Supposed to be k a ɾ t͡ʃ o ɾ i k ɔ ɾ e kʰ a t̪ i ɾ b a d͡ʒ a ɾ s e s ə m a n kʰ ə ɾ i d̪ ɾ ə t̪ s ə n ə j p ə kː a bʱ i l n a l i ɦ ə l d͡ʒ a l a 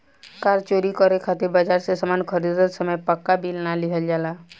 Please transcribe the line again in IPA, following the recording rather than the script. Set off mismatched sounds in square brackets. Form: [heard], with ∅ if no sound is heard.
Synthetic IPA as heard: k a ɾ t͡ʃ o ɾ i k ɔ ɾ e kʰ a t̪ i ɾ b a d͡ʒ a ɾ s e s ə m a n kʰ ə ɾ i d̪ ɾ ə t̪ s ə [m] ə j p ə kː a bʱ i l n a l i ɦ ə l d͡ʒ a l a